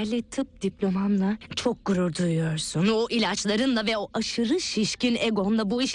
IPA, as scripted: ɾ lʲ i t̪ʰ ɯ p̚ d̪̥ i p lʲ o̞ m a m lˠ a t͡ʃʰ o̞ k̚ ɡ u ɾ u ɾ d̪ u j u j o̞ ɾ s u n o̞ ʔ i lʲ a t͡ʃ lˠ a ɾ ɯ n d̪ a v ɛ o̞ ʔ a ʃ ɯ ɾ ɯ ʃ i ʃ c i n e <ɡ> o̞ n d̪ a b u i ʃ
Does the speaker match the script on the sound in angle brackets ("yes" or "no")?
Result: yes